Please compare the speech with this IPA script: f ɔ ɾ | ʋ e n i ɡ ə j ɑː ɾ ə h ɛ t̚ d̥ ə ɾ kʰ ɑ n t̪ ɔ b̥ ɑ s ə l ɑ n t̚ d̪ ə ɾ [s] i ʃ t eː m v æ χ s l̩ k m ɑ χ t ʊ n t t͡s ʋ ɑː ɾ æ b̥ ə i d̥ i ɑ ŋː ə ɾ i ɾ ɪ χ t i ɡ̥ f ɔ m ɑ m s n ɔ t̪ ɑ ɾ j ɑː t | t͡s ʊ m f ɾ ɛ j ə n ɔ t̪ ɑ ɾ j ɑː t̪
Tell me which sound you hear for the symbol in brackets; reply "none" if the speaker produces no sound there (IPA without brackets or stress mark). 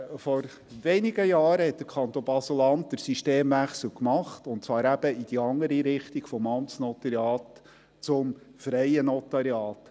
s